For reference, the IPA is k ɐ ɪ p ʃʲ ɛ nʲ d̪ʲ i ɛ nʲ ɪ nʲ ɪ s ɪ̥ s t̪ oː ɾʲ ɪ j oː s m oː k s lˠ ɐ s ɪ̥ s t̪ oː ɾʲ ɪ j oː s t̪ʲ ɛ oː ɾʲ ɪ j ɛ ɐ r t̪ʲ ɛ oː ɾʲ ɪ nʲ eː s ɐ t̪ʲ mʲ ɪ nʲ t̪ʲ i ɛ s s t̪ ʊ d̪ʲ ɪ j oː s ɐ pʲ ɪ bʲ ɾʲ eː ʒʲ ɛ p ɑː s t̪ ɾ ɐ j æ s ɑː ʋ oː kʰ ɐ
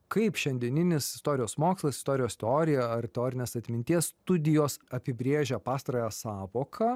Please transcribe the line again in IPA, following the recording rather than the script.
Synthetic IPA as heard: k ɐ ɪ p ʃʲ ɛ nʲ d̪ʲ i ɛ nʲ ɪ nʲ ɪ s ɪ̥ s t̪ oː ɾʲ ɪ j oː s m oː k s lˠ ɐ s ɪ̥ s t̪ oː ɾʲ ɪ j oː s t̪ʲ ɛ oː ɾʲ ɪ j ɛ ɐ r t̪ʲ ɛ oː ɾʲ ɪ nʲ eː s ɐ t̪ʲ mʲ ɪ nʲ t̪ʲ i ɛ s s t̪ ʊ d̪ʲ ɪ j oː s ɐ pʲ ɪ bʲ ɾʲ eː ʒʲ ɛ p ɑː s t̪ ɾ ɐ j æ s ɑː ʋ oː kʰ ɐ

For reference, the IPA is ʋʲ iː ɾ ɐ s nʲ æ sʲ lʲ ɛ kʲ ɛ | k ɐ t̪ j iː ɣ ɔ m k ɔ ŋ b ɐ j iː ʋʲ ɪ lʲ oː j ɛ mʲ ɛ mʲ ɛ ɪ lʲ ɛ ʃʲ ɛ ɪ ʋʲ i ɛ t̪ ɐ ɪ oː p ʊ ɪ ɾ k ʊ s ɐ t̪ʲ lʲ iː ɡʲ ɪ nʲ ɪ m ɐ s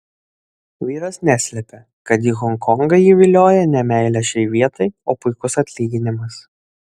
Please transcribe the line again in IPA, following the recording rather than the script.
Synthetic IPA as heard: ʋʲ iː ɾ ɐ s nʲ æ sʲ lʲ ɛ pʲ ɛ | k ɐ t̪ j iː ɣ ɔ ŋ k ɔ ŋ ɡ ɐ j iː ʋʲ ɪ lʲ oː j ɛ nʲ ɛ mʲ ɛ ɪ lʲ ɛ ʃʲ ɛ ɪ ʋʲ i ɛ t̪ ɐ ɪ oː p ʊ ɪ k ʊ s ɐ t̪ʲ lʲ iː ɡʲ ɪ nʲ ɪ m ɐ s

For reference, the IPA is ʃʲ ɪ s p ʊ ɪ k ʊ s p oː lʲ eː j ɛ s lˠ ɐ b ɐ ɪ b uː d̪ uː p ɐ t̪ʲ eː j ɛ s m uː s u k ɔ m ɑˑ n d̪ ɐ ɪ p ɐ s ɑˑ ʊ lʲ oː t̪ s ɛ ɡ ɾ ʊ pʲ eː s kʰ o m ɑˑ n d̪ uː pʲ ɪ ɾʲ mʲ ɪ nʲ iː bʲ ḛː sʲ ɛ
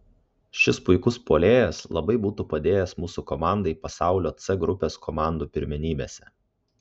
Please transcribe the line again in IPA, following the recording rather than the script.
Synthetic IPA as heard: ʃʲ ɪ s p ʊ ɪ k ʊ s p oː lʲ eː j ɛ s lˠ ɐ b ɐ ɪ b uː t̪ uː p ɐ d̪ʲ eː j ɛ s m uː s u k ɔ m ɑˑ n d̪ ɐ ɪ p ɐ s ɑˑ ʊ lʲ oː t̪ s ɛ ɡ ɾ ʊ pʲ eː s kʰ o m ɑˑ n d̪ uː pʲ ɪ ɾʲ mʲ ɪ nʲ iː bʲ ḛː sʲ ɛ

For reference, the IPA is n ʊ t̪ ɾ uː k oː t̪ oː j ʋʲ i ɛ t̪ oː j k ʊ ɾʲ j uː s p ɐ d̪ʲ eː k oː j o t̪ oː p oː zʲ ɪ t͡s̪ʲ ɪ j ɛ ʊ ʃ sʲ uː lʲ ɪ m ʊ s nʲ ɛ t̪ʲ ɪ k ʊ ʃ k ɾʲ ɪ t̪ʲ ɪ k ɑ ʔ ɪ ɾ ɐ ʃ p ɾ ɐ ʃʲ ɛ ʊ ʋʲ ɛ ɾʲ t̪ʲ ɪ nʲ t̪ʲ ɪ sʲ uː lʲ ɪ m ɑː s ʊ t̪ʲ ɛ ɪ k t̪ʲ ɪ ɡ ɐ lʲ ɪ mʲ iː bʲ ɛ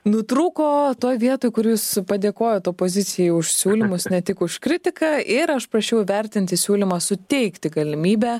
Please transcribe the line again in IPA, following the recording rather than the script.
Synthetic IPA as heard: n ʊ t̪ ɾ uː k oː t̪ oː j ʋʲ i ɛ t̪ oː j k ʊ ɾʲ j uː s p ɐ d̪ʲ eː k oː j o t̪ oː p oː zʲ ɪ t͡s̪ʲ ɪ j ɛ ʊ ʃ sʲ uː lʲ ɪ m ʊ s nʲ ɛ t̪ʲ ɪ k ʊ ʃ k ɾʲ ɪ t̪ʲ ɪ k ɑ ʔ ɪ ɾ ɐ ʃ p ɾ ɐ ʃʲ ɛ ʊ ʋʲ ɛ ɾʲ t̪ʲ ɪ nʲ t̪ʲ ɪ sʲ uː lʲ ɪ m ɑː s ʊ t̪ʲ ɛ ɪ k t̪ʲ ɪ ɡ ɐ lʲ ɪ mʲ iː bʲ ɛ

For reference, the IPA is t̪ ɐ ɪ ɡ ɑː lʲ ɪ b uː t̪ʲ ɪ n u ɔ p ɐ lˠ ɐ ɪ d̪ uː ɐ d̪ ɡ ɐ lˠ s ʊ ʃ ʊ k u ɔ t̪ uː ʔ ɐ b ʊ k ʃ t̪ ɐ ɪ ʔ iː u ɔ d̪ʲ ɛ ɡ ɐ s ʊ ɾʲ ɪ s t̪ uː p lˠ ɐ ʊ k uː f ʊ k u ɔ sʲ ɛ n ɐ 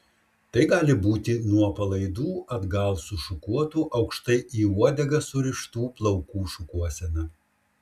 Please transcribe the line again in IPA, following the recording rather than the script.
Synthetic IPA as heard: t̪ ɐ ɪ ɡ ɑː lʲ ɪ b uː t̪ʲ ɪ n u ɔ p ɐ lˠ ɐ ɪ d̪ uː ɐ d̪ ɡ ɐ lˠ s ʊ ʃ ʊ k u ɔ t̪ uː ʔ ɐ ʊ k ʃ t̪ ɐ ɪ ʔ iː u ɔ d̪ʲ ɛ ɡ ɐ s ʊ ɾʲ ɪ ʃ t̪ uː p lˠ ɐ ʊ k uː ʃ ʊ k u ɔ sʲ ɛ n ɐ

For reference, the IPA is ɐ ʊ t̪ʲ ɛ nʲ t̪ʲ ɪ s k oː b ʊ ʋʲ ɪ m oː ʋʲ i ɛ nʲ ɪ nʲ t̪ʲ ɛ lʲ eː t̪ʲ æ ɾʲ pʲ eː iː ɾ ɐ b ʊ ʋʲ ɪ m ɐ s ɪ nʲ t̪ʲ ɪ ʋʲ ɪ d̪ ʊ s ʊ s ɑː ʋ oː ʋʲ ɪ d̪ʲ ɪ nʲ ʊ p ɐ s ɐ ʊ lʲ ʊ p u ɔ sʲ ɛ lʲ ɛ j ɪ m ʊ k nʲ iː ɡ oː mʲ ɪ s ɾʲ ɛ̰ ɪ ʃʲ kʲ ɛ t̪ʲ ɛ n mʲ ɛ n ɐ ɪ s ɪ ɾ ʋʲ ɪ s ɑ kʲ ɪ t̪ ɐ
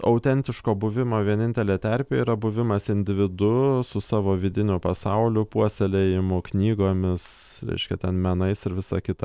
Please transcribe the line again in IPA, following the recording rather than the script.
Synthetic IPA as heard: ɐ ʊ t̪ʲ ɛ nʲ t̪ʲ ɪ ʃ k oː b ʊ ʋʲ ɪ m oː ʋʲ i ɛ nʲ ɪ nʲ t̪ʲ ɛ lʲ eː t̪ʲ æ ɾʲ pʲ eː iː ɾ ɐ b ʊ ʋʲ ɪ m ɐ s ɪ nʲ d̪ʲ ɪ ʋʲ ɪ d̪ ʊ s ʊ s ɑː ʋ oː ʋʲ ɪ d̪ʲ ɪ nʲ ʊ p ɐ s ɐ ʊ lʲ ʊ p u ɔ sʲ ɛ lʲ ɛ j ɪ m ʊ k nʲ iː ɡ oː mʲ ɪ s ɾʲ ɛ̰ ɪ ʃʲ kʲ ɛ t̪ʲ ɛ n mʲ ɛ n ɐ ɪ s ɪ ɾ ʋʲ ɪ s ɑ kʲ ɪ t̪ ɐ

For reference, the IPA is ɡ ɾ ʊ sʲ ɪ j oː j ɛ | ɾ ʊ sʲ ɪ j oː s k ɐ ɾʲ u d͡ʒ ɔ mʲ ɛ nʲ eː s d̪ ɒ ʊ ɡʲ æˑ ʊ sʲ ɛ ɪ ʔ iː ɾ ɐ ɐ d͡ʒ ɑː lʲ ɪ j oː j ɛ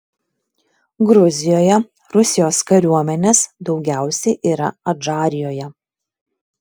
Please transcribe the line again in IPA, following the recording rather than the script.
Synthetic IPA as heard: ɡ ɾ ʊ zʲ ɪ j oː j ɛ | ɾ ʊ sʲ ɪ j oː s k ɐ ɾʲ u ɔ mʲ ɛ nʲ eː s d̪ ɒ ʊ ɡʲ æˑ ʊ sʲ ɛ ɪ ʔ iː ɾ ɐ ɐ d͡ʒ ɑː ɾʲ ɪ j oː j ɛ

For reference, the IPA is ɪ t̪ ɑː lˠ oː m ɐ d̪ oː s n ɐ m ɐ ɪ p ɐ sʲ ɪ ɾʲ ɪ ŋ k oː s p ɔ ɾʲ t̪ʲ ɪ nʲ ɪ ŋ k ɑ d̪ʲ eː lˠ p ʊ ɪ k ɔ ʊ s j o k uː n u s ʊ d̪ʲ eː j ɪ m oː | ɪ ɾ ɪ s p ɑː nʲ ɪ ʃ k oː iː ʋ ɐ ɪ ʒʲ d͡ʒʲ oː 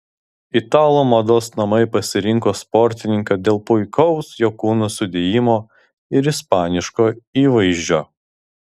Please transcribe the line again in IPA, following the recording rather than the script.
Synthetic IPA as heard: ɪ t̪ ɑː lˠ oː m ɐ d̪ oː s n ɐ m ɐ ɪ p ɐ sʲ ɪ ɾʲ ɪ ŋ k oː s p ɔ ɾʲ t̪ʲ ɪ nʲ ɪ ŋ k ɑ d̪ʲ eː lˠ p ʊ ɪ k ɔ ʊ s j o k uː n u s ʊ d̪ʲ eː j ɪ m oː | ɪ ɾ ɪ s p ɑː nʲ ɪ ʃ k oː iː ʋ ɐ ɪ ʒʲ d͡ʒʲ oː

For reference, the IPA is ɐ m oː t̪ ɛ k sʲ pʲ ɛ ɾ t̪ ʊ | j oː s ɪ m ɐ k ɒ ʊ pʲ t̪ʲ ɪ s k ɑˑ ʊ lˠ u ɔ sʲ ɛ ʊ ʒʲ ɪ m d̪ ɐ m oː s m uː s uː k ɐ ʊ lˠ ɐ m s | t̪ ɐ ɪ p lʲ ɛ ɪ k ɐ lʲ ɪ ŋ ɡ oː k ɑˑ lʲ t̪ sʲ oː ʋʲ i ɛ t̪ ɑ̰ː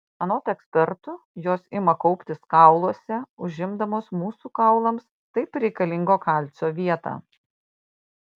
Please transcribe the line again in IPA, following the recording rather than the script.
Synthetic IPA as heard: ɐ n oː t̪ ɛ k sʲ pʲ ɛ ɾ t̪ ʊ | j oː s ɪ m ɐ k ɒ ʊ pʲ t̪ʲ ɪ s k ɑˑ ʊ lˠ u ɔ sʲ ɛ ʊ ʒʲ ɪ m d̪ ɐ m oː s m uː s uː k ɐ ʊ lˠ ɐ m s | t̪ ɐ ɪ p ɾʲ ɛ ɪ k ɐ lʲ ɪ ŋ ɡ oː k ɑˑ lʲ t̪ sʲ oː ʋʲ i ɛ t̪ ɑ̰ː

